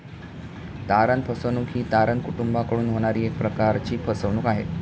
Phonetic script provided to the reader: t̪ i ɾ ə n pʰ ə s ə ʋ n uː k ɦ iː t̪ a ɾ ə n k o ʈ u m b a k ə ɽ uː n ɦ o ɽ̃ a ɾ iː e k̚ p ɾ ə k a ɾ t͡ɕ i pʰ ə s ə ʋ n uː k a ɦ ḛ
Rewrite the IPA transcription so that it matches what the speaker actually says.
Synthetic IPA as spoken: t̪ a ɾ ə n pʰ ə s ə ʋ n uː k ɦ iː t̪ a ɾ ə n k u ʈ u m b a k ə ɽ uː n ɦ o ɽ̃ a ɾ iː e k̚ p ɾ ə k a ɾ t͡ɕ iː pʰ ə s ə ʋ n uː k a ɦ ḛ